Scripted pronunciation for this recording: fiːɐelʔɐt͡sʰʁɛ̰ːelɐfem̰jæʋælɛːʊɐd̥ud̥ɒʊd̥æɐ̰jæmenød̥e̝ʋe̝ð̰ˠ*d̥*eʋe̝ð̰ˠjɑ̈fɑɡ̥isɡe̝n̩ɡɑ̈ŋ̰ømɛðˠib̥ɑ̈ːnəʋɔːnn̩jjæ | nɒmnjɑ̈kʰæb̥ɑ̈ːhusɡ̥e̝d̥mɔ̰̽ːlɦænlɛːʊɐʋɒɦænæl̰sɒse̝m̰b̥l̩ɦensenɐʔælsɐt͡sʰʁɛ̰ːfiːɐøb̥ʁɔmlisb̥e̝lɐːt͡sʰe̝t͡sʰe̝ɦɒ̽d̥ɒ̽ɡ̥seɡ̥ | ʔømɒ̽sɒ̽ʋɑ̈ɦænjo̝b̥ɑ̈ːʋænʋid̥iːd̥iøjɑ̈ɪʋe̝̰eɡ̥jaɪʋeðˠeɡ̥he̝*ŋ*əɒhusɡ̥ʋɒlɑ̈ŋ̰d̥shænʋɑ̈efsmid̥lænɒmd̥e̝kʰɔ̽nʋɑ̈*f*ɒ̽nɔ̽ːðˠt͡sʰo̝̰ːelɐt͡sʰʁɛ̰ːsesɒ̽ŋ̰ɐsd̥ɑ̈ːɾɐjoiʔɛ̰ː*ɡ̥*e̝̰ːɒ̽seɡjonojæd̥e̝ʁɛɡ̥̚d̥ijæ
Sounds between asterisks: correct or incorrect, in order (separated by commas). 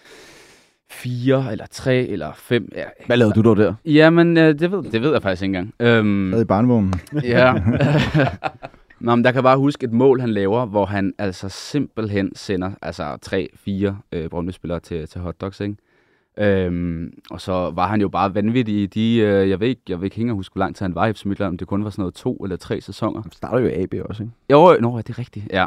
correct, correct, incorrect, incorrect